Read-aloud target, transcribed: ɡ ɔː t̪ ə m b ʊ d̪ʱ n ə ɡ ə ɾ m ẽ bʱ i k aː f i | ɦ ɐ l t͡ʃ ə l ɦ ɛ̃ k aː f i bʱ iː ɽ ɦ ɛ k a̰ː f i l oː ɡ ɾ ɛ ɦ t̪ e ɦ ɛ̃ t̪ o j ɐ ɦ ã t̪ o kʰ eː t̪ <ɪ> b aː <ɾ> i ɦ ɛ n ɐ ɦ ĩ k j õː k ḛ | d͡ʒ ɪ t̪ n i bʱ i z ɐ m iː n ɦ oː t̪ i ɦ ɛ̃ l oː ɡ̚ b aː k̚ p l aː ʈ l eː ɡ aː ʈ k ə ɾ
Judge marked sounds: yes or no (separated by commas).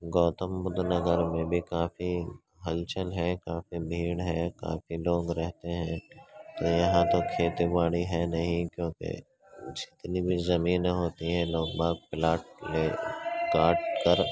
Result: no, no